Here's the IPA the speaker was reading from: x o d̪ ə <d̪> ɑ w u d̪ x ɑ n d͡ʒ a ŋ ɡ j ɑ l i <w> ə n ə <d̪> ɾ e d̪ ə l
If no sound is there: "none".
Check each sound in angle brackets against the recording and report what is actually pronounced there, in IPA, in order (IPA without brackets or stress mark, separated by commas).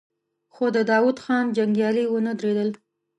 d̪, w, d̪